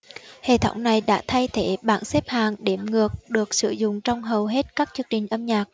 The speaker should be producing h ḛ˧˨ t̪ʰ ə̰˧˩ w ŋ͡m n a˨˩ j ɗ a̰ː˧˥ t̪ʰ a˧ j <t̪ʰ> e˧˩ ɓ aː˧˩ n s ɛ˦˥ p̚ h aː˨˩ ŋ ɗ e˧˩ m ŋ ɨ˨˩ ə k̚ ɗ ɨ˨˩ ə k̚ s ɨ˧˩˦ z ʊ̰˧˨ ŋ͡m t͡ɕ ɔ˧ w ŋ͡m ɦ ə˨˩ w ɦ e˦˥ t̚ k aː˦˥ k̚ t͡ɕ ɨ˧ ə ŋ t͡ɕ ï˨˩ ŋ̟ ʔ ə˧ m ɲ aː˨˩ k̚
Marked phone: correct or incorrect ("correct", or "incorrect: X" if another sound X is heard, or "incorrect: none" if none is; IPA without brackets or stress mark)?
correct